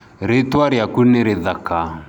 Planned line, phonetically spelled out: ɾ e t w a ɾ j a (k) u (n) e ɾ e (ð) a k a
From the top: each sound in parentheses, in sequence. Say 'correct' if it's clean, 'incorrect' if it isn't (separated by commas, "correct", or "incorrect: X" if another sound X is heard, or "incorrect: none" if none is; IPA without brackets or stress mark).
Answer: correct, correct, correct